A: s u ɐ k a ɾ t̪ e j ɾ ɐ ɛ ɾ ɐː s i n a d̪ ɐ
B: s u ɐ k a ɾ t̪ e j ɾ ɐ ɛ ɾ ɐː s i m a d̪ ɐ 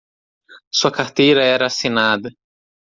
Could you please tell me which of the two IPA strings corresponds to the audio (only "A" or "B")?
A